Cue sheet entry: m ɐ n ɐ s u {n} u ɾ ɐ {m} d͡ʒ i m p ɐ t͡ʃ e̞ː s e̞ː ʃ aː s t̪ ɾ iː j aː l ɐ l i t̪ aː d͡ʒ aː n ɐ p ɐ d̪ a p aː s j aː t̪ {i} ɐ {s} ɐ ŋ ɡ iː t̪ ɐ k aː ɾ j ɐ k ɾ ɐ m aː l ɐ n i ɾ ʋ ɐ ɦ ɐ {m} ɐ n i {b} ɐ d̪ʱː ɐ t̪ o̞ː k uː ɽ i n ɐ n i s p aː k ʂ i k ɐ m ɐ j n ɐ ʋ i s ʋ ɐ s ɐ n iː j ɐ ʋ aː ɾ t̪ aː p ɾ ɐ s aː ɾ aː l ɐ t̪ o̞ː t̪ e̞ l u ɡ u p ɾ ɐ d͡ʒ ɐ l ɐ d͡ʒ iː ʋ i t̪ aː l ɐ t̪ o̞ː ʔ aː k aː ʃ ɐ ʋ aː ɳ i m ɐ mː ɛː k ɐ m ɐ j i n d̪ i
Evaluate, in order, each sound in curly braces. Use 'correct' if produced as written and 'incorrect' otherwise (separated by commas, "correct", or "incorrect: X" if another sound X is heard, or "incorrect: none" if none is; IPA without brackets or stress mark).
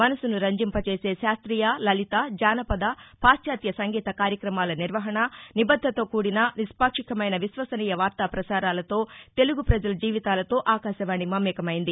correct, incorrect: ɲ, incorrect: j, correct, incorrect: ɳ, correct